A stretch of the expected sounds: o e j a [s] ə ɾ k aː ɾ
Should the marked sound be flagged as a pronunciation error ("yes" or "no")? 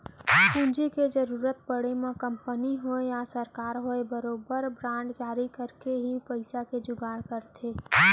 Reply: no